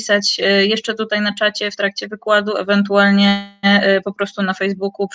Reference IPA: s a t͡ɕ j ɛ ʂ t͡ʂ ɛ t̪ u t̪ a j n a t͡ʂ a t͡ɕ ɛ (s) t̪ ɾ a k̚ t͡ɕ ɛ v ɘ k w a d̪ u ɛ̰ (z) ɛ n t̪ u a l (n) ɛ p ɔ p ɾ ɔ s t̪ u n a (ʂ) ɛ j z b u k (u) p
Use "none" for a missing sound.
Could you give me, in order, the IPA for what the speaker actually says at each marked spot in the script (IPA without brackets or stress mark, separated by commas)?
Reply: f, v, ɲ, f, u